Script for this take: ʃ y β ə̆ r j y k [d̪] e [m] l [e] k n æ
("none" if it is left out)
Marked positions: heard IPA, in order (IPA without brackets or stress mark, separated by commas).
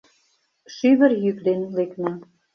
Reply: d̪, n, e